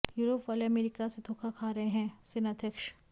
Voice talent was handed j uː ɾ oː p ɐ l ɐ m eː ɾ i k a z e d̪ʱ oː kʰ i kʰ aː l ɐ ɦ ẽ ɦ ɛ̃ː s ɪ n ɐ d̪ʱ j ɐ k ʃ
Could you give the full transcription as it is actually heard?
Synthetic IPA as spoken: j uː ɾ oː p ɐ l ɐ m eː ɾ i k a s e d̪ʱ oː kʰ a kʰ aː ɾ ɐ ɦ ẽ ɦ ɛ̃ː s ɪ n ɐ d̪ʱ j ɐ k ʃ